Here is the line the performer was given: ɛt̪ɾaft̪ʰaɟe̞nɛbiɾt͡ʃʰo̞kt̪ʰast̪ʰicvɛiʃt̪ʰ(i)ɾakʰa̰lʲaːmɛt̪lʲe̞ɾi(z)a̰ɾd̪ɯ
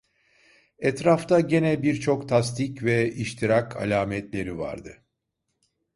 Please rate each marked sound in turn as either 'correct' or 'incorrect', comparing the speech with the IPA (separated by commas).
correct, incorrect